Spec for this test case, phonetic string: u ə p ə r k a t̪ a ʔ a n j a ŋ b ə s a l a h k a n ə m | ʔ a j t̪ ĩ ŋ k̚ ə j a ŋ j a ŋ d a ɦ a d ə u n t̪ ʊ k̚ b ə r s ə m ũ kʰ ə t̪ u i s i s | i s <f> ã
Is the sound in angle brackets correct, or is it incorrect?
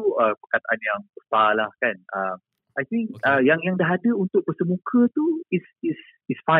correct